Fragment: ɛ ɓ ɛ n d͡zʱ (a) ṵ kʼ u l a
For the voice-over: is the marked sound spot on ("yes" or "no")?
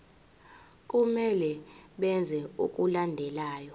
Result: no